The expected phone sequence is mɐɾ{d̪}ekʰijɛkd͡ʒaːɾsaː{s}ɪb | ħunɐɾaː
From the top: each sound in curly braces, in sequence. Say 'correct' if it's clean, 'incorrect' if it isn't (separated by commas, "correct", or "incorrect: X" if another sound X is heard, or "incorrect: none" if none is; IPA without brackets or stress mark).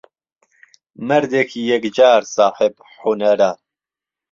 correct, incorrect: ħ